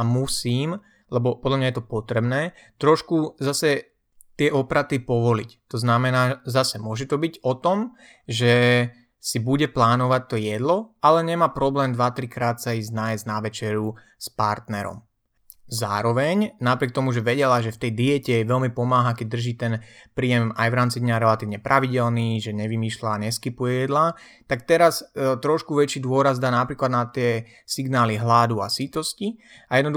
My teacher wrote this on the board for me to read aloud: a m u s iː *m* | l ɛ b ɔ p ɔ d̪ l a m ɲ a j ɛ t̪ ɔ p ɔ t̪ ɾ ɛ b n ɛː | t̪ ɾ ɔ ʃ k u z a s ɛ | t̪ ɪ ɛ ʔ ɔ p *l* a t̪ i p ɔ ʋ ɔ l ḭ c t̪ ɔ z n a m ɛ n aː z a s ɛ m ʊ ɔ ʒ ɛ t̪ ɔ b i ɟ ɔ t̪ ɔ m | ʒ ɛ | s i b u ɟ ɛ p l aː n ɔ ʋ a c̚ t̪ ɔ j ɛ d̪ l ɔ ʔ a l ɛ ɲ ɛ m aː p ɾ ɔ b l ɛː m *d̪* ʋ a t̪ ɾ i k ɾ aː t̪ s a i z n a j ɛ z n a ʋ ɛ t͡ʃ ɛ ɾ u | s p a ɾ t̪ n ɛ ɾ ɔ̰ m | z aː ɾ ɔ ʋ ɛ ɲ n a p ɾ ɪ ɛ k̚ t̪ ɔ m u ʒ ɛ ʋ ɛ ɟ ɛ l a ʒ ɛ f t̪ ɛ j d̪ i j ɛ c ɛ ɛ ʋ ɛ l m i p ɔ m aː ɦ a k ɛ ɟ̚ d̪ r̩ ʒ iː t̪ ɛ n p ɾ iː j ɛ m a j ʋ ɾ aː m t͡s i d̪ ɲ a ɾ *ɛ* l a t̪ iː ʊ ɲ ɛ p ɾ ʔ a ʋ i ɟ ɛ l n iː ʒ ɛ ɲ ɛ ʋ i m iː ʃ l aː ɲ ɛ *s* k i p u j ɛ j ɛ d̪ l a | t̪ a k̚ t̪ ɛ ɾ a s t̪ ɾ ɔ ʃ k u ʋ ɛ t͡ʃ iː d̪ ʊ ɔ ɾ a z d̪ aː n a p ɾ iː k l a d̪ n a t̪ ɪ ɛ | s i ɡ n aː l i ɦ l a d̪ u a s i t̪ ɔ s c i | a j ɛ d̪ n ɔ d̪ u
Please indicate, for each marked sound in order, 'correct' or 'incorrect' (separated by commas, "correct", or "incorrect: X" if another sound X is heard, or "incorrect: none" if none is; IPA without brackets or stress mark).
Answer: correct, incorrect: ɾ, correct, correct, correct